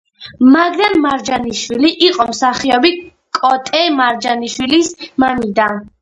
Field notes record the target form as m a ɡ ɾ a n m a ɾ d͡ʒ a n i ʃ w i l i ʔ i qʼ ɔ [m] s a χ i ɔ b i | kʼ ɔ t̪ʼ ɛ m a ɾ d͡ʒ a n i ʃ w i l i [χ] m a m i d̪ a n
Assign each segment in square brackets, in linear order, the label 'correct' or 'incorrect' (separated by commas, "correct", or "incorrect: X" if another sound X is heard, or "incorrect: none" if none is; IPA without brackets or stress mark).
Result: correct, incorrect: s